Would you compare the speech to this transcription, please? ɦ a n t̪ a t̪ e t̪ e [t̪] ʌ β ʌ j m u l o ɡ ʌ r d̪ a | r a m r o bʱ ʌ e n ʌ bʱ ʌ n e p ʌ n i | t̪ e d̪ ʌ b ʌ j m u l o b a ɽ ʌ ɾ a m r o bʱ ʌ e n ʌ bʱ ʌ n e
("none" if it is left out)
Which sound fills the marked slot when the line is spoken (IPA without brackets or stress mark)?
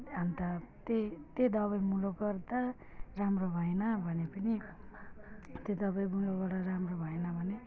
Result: d̪